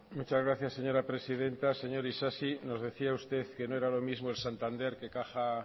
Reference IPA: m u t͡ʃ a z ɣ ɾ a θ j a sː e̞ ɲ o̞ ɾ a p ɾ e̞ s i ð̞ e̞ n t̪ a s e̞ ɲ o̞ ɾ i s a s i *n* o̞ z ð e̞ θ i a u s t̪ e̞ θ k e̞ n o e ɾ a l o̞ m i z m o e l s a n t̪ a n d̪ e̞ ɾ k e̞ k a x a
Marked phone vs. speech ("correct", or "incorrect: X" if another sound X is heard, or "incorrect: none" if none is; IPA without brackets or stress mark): correct